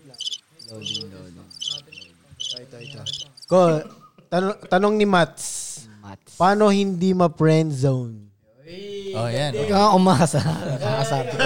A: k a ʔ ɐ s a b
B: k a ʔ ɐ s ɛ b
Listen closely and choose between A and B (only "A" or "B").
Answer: A